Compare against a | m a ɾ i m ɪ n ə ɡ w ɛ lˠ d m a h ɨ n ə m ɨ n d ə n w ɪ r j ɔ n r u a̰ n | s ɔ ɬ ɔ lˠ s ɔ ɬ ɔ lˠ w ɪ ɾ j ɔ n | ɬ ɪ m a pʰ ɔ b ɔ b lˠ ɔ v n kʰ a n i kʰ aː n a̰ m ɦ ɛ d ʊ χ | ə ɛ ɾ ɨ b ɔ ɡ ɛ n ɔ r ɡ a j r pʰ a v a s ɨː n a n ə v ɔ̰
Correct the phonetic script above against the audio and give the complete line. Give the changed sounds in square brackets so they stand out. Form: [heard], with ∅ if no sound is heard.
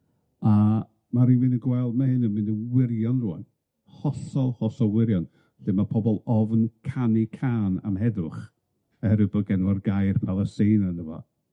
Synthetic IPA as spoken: a | m a ɾ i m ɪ n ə ɡ w ɛ lˠ d m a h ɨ n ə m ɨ n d ə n w ɪ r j ɔ n r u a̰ n | [h] ɔ ɬ ɔ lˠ [h] ɔ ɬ ɔ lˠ w ɪ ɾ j ɔ n | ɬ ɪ m a pʰ ɔ b ɔ [∅] lˠ ɔ v n kʰ a n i kʰ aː n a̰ m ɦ ɛ d ʊ χ | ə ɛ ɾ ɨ b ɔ ɡ ɛ n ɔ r ɡ a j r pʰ a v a s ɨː n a n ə v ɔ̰

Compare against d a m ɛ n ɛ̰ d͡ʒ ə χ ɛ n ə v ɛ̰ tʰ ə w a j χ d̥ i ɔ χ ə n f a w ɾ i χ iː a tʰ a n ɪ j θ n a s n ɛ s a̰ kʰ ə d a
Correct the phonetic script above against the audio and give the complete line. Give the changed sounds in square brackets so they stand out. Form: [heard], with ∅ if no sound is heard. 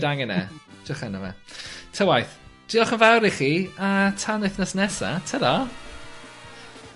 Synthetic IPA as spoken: d a [ŋ] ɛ n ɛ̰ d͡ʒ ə χ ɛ n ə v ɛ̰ tʰ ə w a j [θ] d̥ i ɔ χ ə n [v] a w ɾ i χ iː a tʰ a n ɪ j θ n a s n ɛ s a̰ [tʰ] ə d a

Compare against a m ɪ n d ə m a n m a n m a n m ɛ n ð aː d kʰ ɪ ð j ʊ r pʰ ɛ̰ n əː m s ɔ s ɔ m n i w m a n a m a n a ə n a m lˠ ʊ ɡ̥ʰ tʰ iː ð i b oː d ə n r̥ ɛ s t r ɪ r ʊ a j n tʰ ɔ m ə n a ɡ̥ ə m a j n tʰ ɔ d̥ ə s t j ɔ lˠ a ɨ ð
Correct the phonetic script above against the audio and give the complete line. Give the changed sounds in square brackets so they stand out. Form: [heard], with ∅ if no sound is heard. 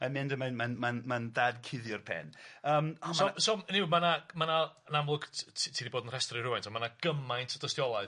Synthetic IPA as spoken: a m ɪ n d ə m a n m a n m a n m [a] n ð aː d kʰ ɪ ð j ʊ r pʰ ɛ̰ n əː m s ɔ s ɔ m n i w m a n a m a n a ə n a m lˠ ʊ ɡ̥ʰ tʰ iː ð i b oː d ə n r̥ ɛ s t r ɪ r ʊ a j n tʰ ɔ m [a] n a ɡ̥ ə m a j n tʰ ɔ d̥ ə s t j ɔ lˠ a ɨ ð

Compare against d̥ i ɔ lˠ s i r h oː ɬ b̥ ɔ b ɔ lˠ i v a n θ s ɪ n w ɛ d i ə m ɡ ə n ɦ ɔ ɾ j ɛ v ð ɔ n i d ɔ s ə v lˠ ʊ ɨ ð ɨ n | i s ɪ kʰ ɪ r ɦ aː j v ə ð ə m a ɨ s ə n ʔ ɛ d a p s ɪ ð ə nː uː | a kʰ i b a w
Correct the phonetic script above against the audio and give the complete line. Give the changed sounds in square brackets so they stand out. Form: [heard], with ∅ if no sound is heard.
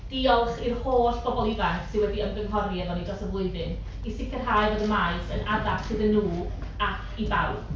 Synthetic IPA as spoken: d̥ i ɔ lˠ [χ] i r h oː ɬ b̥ ɔ b ɔ lˠ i v a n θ s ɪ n w ɛ d i ə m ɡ ə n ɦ ɔ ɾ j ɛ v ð ɔ n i d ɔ s ə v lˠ ʊ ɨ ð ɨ n | i s ɪ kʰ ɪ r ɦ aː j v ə ð ə m a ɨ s ə n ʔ [a] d a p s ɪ ð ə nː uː | a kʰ i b a w

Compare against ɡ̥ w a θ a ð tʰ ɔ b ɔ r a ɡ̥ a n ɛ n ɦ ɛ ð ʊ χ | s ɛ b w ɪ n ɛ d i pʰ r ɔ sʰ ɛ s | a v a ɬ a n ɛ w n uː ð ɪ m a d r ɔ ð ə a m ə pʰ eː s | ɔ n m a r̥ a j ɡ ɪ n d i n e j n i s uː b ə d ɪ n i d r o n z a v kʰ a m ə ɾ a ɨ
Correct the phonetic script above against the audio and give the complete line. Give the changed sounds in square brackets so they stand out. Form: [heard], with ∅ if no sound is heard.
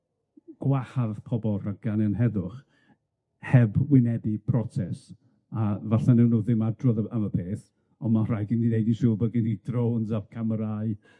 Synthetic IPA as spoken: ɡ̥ w a [h] a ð [pʰ] ɔ b ɔ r a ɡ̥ a n ɛ n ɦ ɛ ð ʊ χ | [h] ɛ b w ɪ n ɛ d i pʰ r ɔ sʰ ɛ s | a v a ɬ a n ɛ w n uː ð ɪ m a d r ɔ ð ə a m ə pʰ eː [θ] | ɔ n m a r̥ a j ɡ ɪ n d i n e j [d] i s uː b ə [ɡ] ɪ n i d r o n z a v kʰ a m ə ɾ a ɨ

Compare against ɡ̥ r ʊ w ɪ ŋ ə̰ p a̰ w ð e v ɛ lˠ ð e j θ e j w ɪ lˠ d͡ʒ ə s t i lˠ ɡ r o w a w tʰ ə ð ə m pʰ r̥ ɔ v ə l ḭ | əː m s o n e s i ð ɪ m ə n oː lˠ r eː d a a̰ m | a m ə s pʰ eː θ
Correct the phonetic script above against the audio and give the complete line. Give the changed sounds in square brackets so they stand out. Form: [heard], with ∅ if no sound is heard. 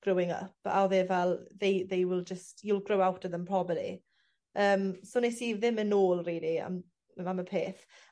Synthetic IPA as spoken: ɡ̥ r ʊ w ɪ ŋ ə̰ p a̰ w ð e v ɛ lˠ ð e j [ð] e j w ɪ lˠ d͡ʒ ə s t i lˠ ɡ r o w a w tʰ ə ð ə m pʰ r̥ ɔ [b] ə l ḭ | əː m s o n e s i ð ɪ m ə n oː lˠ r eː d [i] a̰ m | a m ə [∅] pʰ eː θ

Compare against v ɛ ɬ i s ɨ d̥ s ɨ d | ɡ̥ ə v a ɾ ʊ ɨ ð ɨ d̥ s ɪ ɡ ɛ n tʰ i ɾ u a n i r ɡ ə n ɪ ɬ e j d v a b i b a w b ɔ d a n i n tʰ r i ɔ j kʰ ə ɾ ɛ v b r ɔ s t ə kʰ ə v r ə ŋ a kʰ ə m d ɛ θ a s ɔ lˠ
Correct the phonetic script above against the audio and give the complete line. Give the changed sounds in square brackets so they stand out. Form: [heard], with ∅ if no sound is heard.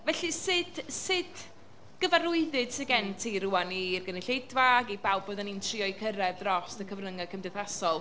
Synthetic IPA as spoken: v ɛ ɬ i s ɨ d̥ s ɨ d | ɡ̥ ə v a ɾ ʊ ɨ ð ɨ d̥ s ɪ ɡ ɛ n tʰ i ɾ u a n i r ɡ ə n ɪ ɬ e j d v a [ɡ] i b a w b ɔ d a n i n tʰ r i ɔ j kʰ ə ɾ ɛ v [d] r ɔ s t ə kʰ ə v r ə ŋ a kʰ ə m d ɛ θ a s ɔ lˠ

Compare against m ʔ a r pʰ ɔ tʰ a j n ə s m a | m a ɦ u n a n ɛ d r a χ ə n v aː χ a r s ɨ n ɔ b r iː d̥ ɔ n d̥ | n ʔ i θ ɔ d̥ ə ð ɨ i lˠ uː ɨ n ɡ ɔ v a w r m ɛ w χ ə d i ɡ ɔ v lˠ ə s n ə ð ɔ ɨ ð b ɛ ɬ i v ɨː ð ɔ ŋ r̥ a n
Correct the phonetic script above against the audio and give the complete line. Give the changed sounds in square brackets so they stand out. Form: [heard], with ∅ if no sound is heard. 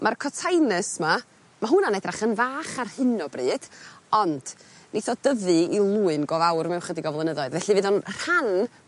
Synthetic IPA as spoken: m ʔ a r [kʰ] ɔ tʰ a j n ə s m a | m a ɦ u n a n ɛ d r a χ ə n v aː χ a r [h] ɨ n ɔ b r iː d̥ ɔ n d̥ | n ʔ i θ ɔ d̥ ə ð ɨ i lˠ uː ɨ n ɡ ɔ v a w r m ɛ w χ ə d i ɡ ɔ v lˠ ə [∅] n ə ð ɔ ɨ ð [v] ɛ ɬ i v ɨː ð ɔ [n] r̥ a n

